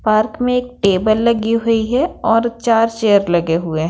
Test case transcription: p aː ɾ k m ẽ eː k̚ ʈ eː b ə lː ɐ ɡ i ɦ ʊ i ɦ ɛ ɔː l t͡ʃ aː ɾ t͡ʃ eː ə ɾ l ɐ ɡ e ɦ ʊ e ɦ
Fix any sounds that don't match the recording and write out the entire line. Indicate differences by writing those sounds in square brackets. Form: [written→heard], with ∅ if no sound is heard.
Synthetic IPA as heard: p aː ɾ k m ẽ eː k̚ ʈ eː b ə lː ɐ ɡ i ɦ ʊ i ɦ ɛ ɔː [l→ɾ] t͡ʃ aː ɾ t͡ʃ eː ə ɾ l ɐ ɡ e ɦ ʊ e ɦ

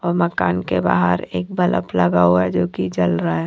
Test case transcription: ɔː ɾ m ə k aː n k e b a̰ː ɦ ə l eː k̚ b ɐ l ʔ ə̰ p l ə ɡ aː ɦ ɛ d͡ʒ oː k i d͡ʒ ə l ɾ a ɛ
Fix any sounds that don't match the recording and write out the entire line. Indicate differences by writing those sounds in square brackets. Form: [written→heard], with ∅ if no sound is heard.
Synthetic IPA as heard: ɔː ɾ m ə k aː n k e b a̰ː ɦ ə [l→ɾ] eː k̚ b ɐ l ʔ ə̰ p l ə ɡ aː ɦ ɛ d͡ʒ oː k i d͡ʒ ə l ɾ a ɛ

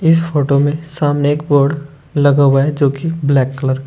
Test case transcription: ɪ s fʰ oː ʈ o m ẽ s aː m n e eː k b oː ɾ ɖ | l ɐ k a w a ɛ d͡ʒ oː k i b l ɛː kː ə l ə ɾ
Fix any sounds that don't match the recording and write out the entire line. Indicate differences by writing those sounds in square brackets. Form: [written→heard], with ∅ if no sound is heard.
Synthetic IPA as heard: ɪ s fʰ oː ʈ o m ẽ s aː m n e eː k b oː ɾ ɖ | l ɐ [k→ɡ] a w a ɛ d͡ʒ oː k i b l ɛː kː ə l ə ɾ

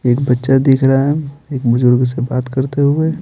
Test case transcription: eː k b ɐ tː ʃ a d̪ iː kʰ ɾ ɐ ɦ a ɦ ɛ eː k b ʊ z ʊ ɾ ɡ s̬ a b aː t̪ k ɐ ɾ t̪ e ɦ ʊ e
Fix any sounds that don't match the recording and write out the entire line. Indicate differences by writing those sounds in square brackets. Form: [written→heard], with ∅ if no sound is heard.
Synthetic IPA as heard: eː k b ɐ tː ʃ a d̪ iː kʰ ɾ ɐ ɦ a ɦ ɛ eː k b ʊ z ʊ ɾ ɡ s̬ [a→e] b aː t̪ k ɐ ɾ t̪ e ɦ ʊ e

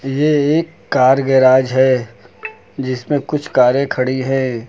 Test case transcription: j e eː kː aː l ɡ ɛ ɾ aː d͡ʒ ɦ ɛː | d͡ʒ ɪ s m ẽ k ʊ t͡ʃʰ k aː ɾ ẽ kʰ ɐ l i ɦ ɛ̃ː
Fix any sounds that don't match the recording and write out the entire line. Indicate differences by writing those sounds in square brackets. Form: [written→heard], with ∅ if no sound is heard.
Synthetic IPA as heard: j e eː kː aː [l→ɾ] ɡ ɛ ɾ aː d͡ʒ ɦ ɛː | d͡ʒ ɪ s m ẽ k ʊ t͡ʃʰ k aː ɾ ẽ kʰ ɐ [l→ɽ] i ɦ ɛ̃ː

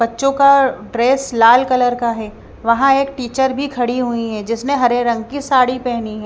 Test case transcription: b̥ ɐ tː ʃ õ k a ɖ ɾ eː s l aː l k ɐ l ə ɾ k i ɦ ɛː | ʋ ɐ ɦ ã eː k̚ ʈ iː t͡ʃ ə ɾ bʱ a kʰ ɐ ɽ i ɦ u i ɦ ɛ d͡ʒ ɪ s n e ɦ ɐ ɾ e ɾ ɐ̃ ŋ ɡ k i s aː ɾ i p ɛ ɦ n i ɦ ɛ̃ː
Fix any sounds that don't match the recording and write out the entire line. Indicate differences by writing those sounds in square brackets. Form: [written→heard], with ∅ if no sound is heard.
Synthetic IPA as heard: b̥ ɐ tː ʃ õ k a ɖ ɾ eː s l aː l k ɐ l ə ɾ k [i→a] ɦ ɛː | ʋ ɐ ɦ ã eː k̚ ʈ iː t͡ʃ ə ɾ bʱ [a→i] kʰ ɐ ɽ i ɦ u i ɦ ɛ d͡ʒ ɪ s n e ɦ ɐ ɾ e ɾ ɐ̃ ŋ ɡ k i s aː [ɾ→ɽ] i p ɛ ɦ n i ɦ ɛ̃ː

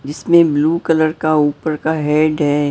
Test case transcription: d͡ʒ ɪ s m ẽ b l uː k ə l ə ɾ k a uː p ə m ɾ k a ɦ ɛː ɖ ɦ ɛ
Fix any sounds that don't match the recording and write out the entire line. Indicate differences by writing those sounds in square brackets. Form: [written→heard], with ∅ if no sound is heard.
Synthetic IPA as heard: d͡ʒ ɪ s m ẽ b l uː k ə l ə ɾ k a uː p ə [m→∅] ɾ k a ɦ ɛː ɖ ɦ ɛ

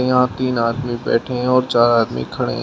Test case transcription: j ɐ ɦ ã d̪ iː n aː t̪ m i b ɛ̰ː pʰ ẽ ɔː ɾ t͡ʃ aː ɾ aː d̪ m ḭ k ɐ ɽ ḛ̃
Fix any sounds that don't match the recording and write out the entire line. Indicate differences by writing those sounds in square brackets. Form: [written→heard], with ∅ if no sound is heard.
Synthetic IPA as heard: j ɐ ɦ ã [d̪→t̪] iː n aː [t̪→d̪] m i b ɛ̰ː [pʰ→ʈʰ] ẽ ɔː ɾ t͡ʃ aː ɾ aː d̪ m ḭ [k→kʰ] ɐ ɽ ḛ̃

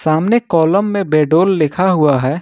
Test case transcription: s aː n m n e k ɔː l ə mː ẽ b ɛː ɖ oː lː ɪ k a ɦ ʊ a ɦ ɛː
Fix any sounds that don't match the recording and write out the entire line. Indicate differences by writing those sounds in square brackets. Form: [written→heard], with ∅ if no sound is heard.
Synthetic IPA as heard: s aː [n→∅] m n e k ɔː l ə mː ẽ b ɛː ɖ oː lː ɪ [k→kʰ] a ɦ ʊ a ɦ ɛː

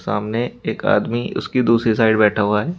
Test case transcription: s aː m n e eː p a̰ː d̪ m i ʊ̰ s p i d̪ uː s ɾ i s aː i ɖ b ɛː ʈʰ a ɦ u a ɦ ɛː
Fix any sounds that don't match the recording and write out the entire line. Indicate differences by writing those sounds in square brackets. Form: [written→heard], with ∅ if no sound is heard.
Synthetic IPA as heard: s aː m n e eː [p→k] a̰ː d̪ m i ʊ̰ s [p→k] i d̪ uː s ɾ i s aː [i→ɪ] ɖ b ɛː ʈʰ a ɦ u a ɦ ɛː

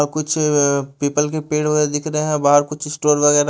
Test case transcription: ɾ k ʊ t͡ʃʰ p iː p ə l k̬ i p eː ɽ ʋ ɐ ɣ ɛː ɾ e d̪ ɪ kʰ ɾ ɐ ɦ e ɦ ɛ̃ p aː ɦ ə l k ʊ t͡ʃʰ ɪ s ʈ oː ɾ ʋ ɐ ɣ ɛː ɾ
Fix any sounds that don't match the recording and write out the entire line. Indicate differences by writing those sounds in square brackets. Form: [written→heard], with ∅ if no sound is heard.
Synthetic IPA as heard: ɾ k ʊ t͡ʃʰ p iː p ə l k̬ [i→e] p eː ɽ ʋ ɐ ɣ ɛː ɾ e d̪ ɪ kʰ ɾ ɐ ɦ e ɦ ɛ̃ [p→b] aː ɦ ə [l→ɾ] k ʊ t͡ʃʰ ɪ s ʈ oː ɾ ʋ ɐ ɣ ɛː ɾ

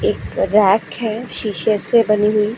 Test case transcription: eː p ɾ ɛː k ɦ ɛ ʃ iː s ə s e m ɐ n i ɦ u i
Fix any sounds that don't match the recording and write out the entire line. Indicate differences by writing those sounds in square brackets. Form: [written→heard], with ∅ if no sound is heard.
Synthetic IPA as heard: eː [p→k] ɾ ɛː k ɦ ɛ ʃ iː [s→ʃ] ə s e [m→b] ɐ n i ɦ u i

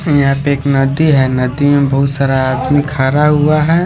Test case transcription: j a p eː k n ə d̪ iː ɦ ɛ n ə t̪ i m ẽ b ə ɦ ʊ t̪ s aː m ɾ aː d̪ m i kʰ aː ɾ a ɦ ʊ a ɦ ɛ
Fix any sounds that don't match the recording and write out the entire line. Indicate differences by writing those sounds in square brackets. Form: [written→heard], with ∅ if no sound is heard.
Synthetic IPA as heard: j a p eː k n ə d̪ [iː→i] ɦ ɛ n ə [t̪→d̪] i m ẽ b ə ɦ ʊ t̪ s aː [m→∅] ɾ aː d̪ m i kʰ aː ɾ a ɦ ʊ a ɦ ɛ

